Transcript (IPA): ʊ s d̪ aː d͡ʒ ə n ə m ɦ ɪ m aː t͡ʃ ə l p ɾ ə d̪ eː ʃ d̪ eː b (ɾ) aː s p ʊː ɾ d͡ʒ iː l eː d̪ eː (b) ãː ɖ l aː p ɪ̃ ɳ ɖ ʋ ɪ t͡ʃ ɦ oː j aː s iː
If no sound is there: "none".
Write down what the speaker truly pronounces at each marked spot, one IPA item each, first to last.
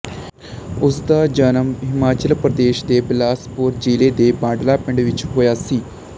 l, b

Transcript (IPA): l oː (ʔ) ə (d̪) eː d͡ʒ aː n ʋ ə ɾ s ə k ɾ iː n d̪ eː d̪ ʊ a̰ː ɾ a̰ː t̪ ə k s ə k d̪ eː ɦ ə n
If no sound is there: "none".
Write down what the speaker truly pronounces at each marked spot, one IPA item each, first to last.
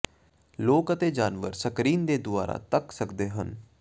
k, t̪

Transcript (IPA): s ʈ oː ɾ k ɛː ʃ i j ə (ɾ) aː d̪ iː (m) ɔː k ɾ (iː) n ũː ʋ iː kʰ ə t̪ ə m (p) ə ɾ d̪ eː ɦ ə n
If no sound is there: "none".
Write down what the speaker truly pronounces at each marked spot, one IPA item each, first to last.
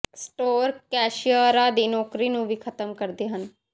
ɾ, n, iː, k

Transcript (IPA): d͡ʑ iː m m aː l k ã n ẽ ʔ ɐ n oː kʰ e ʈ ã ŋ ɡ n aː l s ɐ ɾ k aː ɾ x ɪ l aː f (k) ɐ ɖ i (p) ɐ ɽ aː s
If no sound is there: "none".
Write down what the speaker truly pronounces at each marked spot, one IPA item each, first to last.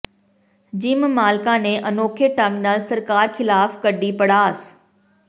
k, p

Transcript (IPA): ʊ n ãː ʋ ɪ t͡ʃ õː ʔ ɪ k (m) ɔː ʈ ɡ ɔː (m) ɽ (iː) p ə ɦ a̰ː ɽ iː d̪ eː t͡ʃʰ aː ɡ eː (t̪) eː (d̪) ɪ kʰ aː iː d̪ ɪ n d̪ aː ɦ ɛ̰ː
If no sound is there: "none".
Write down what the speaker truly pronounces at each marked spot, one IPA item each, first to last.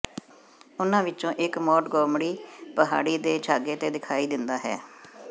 m, m, iː, t̪, d̪

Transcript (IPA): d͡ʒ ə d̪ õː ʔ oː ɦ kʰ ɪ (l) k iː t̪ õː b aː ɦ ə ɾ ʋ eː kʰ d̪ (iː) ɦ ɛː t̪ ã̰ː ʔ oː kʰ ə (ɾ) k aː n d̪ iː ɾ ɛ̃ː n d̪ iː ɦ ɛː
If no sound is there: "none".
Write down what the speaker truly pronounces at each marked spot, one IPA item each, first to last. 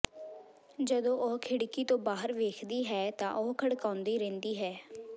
ɽ, iː, ɽ

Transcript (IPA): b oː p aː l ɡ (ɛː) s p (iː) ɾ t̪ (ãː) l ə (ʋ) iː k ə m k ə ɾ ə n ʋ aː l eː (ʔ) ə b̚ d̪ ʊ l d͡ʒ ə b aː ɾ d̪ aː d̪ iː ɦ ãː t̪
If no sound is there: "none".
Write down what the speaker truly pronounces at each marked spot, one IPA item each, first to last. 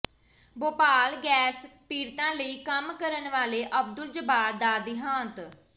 ɛː, iː, ãː, none, ʔ

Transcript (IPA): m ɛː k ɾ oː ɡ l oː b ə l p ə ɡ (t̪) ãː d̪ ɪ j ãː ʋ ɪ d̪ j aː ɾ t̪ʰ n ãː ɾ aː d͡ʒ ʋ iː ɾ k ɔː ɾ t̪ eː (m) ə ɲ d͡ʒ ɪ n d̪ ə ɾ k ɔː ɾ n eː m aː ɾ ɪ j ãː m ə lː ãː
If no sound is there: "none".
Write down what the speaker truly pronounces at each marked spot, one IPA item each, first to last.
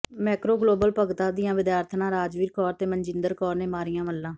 t̪, m

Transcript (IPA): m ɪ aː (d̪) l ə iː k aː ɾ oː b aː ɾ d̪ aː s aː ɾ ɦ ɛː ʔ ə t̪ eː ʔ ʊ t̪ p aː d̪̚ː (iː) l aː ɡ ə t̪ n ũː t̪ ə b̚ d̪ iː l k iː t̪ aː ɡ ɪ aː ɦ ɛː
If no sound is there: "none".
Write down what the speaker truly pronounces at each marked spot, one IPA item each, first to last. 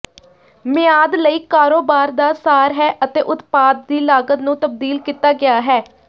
d̪, iː

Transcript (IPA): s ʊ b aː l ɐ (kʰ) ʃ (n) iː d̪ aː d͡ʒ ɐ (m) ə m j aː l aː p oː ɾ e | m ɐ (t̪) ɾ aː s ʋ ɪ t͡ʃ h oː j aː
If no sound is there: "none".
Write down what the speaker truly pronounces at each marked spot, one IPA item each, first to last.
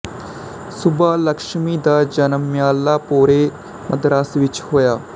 k, m, n, d̪

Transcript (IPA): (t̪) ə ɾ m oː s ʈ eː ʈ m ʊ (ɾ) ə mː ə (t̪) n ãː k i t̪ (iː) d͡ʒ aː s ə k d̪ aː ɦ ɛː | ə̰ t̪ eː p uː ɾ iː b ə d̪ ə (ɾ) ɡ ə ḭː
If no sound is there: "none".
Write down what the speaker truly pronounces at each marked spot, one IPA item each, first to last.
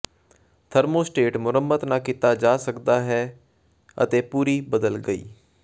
t̪ʰ, ɾ, t̪, aː, l

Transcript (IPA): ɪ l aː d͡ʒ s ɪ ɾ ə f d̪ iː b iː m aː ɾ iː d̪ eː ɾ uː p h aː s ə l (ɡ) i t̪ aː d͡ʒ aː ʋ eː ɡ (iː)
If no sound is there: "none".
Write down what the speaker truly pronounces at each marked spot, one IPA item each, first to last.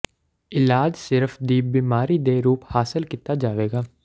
k, aː

